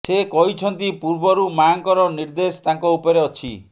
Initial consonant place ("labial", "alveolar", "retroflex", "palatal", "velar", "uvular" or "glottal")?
alveolar